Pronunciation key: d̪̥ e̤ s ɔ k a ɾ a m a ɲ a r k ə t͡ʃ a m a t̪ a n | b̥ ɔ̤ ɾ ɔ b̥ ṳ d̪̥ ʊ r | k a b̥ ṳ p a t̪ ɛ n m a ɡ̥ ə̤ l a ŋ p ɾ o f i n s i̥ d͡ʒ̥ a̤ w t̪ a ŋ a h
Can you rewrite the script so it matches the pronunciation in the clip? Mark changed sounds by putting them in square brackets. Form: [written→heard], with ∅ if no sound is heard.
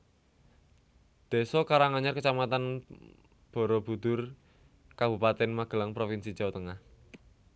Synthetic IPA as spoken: d̪̥ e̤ s ɔ k a ɾ a [m→ŋ] a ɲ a r k ə t͡ʃ a m a t̪ a n | b̥ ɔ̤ ɾ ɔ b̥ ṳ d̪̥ ʊ r | k a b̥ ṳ p a t̪ ɛ n m a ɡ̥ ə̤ l a ŋ p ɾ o f i n s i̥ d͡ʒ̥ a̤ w t̪ [a→ə] ŋ a h